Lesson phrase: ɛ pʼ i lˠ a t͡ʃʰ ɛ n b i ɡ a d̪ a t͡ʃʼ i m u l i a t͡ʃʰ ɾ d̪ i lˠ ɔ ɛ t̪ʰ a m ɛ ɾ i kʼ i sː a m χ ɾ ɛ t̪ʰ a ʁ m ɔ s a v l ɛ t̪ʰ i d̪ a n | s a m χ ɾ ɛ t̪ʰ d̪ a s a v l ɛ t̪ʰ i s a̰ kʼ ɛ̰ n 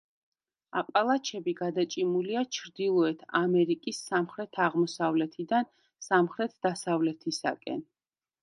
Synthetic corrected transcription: a pʼ a lˠ a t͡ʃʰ ɛ b i ɡ a d̪ a t͡ʃʼ i m u l i a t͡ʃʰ ɾ d̪ i lˠ ɔ ɛ t̪ʰ a m ɛ ɾ i kʼ i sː a m χ ɾ ɛ t̪ʰ a ʁ m ɔ s a v l ɛ t̪ʰ i d̪ a n | s a m χ ɾ ɛ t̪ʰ d̪ a s a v l ɛ t̪ʰ i s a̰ kʼ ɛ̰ n